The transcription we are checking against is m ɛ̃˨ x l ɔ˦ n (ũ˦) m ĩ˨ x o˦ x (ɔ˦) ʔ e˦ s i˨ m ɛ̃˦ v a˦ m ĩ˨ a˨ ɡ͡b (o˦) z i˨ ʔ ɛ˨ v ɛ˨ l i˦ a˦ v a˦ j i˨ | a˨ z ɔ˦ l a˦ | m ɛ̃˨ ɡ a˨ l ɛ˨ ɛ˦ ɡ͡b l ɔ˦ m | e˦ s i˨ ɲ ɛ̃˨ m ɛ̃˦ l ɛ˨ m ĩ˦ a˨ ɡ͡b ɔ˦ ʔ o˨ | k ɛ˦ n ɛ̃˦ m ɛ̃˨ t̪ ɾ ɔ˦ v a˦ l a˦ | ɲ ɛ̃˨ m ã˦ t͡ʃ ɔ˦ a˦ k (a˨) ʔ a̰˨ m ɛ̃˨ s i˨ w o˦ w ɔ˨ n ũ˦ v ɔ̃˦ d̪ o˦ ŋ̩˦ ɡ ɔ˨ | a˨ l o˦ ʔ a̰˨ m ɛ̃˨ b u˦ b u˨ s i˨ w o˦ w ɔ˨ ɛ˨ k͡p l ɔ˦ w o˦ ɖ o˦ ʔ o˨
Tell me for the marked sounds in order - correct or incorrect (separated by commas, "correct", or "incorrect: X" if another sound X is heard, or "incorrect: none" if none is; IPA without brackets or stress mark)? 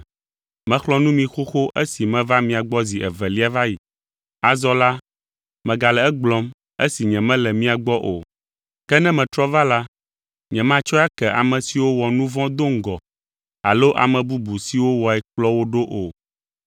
correct, incorrect: o˦, incorrect: ɔ˦, incorrect: ɛ˨